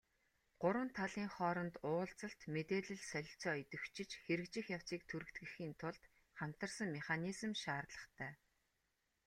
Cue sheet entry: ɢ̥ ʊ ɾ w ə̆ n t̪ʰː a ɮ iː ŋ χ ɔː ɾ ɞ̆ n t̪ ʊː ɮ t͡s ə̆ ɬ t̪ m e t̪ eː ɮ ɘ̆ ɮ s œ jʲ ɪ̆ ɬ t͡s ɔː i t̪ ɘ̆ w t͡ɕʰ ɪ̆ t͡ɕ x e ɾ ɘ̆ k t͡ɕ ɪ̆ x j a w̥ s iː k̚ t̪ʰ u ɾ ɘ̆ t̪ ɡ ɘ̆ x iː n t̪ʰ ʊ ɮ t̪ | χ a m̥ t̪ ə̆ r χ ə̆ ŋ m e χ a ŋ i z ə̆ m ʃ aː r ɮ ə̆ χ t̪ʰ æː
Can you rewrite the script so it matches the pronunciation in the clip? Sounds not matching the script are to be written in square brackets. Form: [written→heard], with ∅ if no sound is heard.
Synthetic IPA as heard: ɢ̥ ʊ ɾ w ə̆ n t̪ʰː a ɮ iː ŋ χ ɔː ɾ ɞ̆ n t̪ ʊː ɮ t͡s ə̆ ɬ t̪ m e t̪ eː ɮ ɘ̆ ɮ s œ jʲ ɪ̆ ɬ t͡s ɔː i t̪ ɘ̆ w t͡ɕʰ ɪ̆ t͡ɕ x e ɾ ɘ̆ k t͡ɕ ɪ̆ x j a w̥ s iː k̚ t̪ʰ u ɾ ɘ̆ t̪ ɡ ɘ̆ x iː n t̪ʰ ʊ ɮ t̪ | χ a m̥ t̪ ə̆ r [χ→s] ə̆ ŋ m e χ a [ŋ→n] i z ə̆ m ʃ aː r ɮ ə̆ χ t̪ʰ æː